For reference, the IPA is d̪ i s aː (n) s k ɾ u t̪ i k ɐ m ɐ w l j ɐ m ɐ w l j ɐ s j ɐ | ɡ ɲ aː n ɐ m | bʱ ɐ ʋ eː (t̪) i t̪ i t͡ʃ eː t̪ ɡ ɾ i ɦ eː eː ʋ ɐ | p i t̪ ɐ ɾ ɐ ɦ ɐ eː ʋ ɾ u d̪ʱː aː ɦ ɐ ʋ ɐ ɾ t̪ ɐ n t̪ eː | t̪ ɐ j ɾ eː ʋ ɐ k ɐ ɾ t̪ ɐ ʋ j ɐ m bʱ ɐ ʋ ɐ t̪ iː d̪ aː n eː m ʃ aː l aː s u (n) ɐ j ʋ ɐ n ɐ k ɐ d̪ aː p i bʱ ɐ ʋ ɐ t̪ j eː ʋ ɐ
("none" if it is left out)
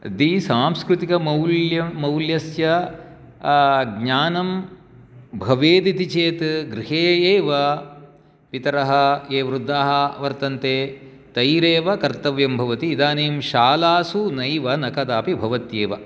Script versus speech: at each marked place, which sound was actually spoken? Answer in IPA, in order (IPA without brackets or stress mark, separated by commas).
m, d̪, n